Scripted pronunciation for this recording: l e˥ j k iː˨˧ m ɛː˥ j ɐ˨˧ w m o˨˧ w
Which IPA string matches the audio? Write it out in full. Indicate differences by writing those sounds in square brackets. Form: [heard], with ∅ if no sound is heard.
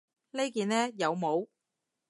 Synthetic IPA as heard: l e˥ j k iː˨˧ [n] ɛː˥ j ɐ˨˧ w m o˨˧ w